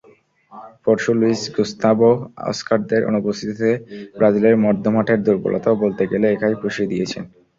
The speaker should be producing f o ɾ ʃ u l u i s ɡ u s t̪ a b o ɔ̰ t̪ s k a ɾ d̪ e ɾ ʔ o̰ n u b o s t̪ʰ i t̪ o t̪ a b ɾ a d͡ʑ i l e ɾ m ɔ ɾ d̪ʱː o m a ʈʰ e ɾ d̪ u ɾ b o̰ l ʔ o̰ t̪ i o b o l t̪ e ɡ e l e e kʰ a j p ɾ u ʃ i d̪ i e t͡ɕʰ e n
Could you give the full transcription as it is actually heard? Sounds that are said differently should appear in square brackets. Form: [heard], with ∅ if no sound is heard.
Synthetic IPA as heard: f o ɾ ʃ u l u i s ɡ u s t̪ a b o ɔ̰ [∅] s k a ɾ d̪ e ɾ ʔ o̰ n u b o s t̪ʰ i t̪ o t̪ [e] b ɾ a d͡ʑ i l e ɾ m ɔ ɾ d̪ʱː o m a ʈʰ e ɾ d̪ u ɾ b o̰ l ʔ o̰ t̪ [a] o b o l t̪ e ɡ e l e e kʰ a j p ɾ u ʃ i d̪ i e t͡ɕʰ e n